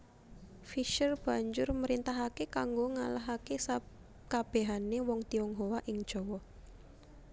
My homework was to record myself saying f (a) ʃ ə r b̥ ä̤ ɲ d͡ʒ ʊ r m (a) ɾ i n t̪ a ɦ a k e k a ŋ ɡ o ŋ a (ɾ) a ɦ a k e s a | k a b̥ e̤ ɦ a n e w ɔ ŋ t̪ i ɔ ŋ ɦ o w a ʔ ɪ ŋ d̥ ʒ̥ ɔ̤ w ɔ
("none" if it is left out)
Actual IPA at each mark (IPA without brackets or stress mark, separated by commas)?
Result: i, ə, l